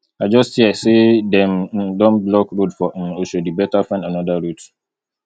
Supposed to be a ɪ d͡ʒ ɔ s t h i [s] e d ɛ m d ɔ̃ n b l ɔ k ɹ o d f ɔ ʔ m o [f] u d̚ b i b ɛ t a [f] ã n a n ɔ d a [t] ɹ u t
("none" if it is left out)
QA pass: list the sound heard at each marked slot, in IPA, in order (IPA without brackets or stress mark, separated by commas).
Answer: s, ʃ, f, none